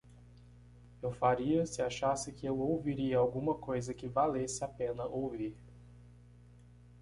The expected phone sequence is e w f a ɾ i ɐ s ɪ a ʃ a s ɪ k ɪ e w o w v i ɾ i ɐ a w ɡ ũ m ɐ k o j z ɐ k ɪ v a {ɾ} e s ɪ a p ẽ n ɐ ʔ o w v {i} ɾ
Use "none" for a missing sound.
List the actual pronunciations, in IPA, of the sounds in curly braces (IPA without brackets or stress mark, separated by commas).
l, i